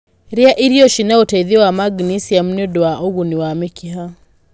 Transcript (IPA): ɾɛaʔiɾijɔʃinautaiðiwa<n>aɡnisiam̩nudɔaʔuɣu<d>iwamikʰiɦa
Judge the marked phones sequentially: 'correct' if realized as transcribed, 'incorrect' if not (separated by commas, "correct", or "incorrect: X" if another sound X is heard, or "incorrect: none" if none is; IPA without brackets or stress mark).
incorrect: m, incorrect: n